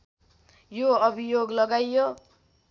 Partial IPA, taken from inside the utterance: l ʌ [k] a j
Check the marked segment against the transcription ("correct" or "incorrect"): incorrect